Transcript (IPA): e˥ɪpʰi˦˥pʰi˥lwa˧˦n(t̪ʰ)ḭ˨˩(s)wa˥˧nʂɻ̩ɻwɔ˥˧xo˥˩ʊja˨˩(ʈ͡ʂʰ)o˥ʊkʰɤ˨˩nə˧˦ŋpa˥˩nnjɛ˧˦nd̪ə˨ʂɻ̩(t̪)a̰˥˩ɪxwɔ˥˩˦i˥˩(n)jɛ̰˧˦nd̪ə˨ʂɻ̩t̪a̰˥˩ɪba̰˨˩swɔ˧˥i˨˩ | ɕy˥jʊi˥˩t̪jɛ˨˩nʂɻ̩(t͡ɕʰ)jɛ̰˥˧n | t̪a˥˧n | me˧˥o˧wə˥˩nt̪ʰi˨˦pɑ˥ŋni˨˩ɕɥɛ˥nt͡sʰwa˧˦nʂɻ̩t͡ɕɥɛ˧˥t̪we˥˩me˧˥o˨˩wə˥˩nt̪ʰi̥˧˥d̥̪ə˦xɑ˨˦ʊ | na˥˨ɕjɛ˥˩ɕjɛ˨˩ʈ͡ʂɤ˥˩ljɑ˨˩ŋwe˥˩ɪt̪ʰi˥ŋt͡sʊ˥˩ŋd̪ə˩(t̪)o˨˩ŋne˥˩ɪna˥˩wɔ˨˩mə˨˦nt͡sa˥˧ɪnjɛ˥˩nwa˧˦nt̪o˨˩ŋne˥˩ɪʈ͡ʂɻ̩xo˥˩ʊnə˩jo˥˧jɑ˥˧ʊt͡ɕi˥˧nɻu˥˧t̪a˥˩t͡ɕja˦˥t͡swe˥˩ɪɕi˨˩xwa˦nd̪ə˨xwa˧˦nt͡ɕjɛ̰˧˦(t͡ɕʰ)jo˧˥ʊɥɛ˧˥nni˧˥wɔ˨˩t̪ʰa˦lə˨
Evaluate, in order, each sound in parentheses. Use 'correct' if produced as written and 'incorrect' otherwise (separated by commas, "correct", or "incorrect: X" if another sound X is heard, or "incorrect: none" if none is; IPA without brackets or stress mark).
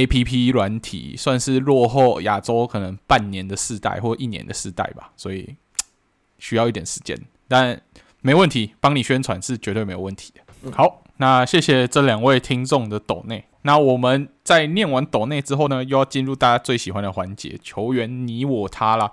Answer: correct, correct, incorrect: ʈ͡ʂ, correct, correct, incorrect: t͡ɕ, correct, correct